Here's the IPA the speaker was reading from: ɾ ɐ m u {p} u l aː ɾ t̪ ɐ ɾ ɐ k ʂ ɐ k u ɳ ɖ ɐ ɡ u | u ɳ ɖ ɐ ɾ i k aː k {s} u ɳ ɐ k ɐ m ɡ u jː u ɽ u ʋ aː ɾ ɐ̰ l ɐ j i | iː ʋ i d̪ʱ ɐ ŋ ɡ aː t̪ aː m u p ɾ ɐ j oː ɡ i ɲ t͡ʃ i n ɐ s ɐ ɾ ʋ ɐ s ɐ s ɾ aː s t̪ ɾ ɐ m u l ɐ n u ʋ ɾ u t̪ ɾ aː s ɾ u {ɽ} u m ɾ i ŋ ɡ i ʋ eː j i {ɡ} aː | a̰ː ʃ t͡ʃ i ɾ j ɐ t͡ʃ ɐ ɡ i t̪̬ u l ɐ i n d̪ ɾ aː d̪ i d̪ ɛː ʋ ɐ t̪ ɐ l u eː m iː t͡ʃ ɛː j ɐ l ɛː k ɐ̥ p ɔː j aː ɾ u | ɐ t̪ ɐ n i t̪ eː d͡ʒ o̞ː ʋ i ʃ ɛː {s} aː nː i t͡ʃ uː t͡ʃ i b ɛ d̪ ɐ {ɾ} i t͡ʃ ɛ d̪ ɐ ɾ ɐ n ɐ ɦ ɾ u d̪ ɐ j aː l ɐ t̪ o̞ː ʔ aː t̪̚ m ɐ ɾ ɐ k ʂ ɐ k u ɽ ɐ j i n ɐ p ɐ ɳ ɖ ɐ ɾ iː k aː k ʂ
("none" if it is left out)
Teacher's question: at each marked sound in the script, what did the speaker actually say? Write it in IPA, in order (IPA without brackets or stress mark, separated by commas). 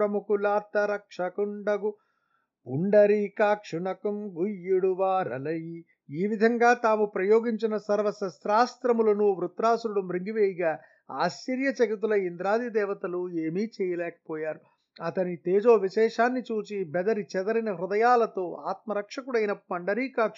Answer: k, ʂ, ɽ, ɡ, ʂ, ɾ